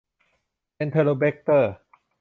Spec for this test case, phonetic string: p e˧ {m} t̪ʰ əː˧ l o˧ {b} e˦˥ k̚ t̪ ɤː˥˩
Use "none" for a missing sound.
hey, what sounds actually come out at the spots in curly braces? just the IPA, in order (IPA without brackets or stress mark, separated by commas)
n, b